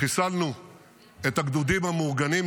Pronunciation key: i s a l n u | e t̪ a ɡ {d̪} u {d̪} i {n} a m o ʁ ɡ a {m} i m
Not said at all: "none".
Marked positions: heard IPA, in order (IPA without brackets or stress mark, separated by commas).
d̪, d̪, m, n